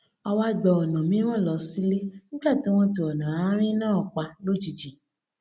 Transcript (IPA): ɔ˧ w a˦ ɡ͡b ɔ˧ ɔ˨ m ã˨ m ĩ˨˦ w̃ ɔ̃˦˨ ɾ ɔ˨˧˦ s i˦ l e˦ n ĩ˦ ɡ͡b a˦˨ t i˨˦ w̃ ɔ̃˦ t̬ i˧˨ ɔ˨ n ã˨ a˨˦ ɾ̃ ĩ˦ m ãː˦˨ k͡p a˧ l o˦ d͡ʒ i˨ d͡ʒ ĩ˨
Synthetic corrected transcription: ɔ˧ w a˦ ɡ͡b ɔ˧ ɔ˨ n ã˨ m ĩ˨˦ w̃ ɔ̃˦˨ l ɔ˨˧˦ s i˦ l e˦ n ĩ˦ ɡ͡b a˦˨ t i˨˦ w̃ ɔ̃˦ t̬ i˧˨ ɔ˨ n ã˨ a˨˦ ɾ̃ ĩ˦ n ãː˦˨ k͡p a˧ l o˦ d͡ʒ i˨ d͡ʒ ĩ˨

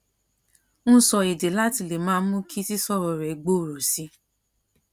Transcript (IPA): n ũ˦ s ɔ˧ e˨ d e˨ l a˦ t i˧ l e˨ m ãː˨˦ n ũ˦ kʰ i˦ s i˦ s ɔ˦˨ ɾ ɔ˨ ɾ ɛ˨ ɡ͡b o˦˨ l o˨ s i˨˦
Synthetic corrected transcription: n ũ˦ s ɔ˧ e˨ d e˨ l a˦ t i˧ l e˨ m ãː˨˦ m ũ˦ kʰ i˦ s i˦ s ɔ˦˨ ɾ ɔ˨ ɾ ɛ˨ ɡ͡b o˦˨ ɾ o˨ s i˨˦

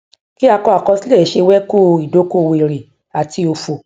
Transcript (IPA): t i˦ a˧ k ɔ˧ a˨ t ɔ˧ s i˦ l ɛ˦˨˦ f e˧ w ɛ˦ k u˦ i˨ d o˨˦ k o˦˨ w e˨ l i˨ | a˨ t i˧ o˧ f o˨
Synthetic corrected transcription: k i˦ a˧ k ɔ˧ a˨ k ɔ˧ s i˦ l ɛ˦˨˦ ʃ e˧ w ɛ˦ k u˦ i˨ d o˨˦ k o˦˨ w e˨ ɾ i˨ | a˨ t i˧ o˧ f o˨

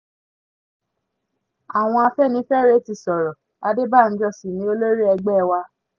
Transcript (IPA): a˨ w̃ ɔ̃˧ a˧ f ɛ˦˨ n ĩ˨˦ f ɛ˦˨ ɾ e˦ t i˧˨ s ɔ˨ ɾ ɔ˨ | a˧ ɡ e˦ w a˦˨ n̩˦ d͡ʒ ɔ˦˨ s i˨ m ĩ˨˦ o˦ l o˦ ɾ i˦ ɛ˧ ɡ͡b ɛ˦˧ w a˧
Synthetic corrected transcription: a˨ w̃ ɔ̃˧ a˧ f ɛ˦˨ n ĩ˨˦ f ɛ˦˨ ɾ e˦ t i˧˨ s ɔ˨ ɾ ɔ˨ | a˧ d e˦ b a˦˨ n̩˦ d͡ʒ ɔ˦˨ s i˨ n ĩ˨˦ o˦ l o˦ ɾ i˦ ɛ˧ ɡ͡b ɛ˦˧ w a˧

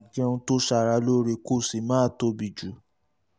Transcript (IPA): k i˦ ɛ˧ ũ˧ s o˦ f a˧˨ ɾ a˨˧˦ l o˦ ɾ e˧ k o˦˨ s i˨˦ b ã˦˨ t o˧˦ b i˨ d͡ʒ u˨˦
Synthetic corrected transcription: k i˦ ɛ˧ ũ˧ t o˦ ʃ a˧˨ ɾ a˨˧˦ l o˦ ɾ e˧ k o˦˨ s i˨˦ m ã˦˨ t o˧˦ b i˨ d͡ʒ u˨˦

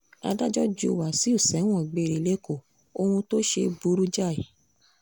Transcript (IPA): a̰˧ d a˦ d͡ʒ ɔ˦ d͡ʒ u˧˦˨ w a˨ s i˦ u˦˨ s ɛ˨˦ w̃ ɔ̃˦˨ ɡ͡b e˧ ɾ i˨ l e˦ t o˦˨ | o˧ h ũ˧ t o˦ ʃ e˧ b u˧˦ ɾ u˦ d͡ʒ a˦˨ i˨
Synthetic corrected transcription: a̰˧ d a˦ d͡ʒ ɔ˦ d͡ʒ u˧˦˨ w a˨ s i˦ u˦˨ s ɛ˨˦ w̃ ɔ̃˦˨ ɡ͡b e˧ ɾ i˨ l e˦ k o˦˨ | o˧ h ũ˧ t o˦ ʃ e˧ b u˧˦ ɾ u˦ d͡ʒ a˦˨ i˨

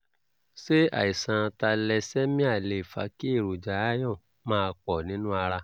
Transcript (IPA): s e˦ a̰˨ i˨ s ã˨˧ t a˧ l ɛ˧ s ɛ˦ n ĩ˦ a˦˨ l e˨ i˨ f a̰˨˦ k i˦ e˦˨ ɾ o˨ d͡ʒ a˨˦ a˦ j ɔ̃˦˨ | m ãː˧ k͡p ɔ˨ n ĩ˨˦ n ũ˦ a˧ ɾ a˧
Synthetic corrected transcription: s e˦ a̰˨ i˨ s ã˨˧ t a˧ l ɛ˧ s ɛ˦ m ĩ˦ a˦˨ l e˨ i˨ f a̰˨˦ k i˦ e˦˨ ɾ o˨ d͡ʒ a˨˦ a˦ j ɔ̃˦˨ | m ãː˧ k͡p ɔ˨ n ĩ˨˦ n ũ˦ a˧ ɾ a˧

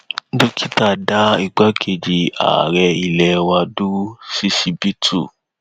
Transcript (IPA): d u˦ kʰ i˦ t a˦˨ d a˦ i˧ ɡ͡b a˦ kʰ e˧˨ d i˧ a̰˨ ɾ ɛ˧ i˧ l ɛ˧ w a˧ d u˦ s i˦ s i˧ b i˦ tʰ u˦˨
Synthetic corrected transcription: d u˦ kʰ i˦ t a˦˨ d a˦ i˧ ɡ͡b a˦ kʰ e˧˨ d͡ʒ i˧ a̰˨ ɾ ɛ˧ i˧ l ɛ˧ w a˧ d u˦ s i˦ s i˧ b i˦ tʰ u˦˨

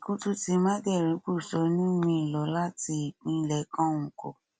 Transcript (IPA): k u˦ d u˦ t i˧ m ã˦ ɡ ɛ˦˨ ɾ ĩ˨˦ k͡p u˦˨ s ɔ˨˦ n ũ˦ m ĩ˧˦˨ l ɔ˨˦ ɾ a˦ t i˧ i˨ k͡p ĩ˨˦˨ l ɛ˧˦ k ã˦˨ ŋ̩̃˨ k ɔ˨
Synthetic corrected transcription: k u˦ t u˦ t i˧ m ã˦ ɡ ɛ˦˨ ɾ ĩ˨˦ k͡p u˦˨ s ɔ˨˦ n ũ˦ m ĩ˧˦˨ l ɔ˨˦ l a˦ t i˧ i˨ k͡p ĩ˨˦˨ l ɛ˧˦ k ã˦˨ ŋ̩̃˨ k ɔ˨

